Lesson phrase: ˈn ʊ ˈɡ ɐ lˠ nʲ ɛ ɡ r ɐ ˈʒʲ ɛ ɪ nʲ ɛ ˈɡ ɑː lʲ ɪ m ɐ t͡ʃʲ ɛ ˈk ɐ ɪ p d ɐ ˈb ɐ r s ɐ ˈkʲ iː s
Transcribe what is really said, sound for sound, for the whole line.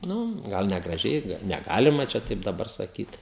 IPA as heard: ˈn ʊ ˈɡ ɐ lˠ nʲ ɛ ɡ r ɐ ˈʒʲ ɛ ɪ nʲ ɛ ˈɡ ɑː lʲ ɪ m ɐ t͡ʃʲ ɛ ˈt ɐ ɪ p d ɐ ˈb ɐ r s ɐ ˈkʲ iː t